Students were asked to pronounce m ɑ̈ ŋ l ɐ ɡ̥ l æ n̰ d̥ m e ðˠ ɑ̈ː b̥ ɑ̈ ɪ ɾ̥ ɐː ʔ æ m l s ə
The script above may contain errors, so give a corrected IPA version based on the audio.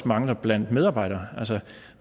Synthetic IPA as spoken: m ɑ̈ ŋ l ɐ b̥ l æ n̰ d̥ m e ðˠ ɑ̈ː b̥ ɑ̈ ɪ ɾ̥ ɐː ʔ æ l s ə